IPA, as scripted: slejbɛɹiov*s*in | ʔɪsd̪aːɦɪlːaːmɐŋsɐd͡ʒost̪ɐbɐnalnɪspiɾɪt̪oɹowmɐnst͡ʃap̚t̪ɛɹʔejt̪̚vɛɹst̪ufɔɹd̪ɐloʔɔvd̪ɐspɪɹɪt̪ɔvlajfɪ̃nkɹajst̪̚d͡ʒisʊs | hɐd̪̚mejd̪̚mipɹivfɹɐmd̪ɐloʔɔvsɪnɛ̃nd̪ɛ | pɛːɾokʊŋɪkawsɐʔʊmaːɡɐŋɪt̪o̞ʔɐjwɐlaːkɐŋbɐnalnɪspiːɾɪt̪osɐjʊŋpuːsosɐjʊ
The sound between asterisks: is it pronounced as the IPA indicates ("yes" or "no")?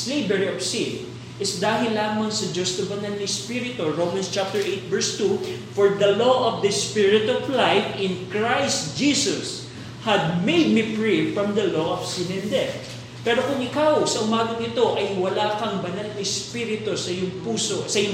yes